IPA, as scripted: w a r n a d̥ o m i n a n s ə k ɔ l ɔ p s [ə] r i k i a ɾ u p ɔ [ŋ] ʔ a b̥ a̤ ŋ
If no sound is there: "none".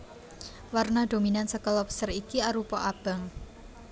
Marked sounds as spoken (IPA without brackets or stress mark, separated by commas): ə, none